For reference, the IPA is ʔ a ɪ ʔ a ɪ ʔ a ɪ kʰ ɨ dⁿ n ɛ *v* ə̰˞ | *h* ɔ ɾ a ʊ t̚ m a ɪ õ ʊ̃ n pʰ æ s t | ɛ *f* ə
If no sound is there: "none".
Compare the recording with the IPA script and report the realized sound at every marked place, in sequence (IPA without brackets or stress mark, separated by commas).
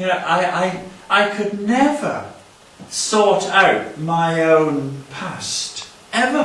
v, s, v